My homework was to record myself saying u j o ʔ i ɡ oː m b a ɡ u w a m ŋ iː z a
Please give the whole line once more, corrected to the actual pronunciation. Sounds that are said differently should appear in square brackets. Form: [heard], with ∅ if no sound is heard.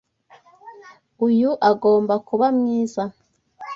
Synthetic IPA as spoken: u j [u] ʔ [a] ɡ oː m b a [k] u [β] a m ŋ iː z a